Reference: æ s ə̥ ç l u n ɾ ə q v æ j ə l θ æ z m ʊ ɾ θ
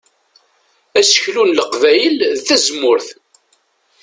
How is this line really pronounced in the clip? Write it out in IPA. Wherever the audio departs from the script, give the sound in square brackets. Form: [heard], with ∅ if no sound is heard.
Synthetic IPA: æ s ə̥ ç l u n [l] ə q v æ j ə l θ æ z m ʊ ɾ θ